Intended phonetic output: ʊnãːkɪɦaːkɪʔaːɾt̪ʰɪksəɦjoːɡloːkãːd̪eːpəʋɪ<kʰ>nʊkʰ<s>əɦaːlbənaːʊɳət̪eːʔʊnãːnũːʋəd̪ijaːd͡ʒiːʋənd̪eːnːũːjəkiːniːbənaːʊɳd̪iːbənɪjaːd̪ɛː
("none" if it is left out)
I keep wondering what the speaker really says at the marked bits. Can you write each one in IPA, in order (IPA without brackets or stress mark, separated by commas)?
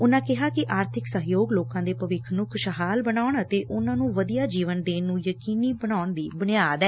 kʰ, ʃ